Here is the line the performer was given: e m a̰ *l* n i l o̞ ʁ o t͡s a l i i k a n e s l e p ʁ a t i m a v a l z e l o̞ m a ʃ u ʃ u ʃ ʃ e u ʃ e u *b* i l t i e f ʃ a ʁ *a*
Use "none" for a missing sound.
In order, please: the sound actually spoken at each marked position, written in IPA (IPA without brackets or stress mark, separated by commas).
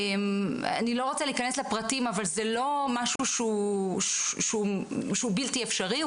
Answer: none, b, i